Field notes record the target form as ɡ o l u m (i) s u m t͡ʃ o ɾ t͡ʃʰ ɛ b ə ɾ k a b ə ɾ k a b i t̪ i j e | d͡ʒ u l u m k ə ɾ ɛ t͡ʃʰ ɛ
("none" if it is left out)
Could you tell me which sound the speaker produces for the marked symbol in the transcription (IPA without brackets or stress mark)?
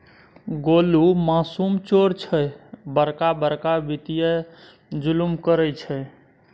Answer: a